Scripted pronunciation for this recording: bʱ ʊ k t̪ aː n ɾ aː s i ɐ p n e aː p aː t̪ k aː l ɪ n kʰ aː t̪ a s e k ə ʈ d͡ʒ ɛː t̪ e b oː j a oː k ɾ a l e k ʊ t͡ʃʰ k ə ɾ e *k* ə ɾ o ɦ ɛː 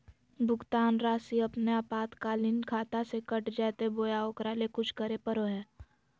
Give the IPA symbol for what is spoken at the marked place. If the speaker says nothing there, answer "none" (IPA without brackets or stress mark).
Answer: p